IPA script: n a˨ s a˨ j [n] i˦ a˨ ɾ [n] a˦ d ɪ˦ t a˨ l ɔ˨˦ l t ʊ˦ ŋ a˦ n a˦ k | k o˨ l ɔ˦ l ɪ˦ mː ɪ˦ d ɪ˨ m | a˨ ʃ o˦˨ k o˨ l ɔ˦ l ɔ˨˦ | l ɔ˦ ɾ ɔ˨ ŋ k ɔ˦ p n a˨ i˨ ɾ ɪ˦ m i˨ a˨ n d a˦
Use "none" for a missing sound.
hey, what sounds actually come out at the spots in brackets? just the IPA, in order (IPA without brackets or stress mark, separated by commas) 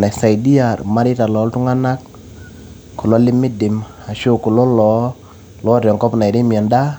d, m